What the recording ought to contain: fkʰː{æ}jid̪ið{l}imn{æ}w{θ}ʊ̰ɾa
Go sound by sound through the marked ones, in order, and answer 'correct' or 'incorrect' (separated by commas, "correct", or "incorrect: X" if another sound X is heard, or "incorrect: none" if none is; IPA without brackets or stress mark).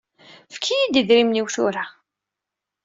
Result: incorrect: i, incorrect: ɾ, incorrect: i, correct